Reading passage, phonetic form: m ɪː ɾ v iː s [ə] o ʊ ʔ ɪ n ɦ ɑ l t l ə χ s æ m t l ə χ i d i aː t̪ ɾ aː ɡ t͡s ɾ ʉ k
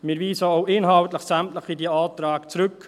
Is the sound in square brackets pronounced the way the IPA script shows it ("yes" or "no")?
yes